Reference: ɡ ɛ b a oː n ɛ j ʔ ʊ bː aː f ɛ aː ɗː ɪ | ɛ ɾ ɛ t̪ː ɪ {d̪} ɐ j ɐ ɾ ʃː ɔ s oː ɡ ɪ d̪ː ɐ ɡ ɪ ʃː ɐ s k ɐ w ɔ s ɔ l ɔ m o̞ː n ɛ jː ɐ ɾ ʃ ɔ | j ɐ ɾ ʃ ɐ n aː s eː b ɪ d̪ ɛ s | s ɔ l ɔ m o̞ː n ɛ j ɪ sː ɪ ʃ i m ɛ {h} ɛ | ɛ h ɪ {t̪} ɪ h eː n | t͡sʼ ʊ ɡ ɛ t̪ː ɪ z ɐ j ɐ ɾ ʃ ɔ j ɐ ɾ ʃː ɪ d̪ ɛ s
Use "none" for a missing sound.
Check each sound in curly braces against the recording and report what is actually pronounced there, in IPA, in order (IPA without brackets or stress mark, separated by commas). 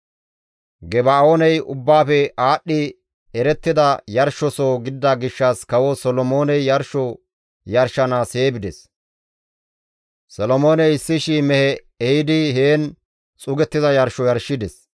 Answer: d̪, h, d̪